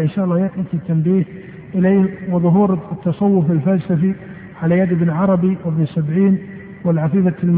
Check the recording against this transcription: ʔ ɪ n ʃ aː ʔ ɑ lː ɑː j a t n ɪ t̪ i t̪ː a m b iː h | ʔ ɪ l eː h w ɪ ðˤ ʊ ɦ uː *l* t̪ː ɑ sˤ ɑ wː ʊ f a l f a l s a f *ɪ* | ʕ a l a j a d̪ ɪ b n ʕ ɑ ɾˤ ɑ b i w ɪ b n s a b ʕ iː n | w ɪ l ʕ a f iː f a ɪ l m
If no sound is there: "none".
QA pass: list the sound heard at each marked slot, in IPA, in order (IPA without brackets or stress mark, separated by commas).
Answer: ɾ, i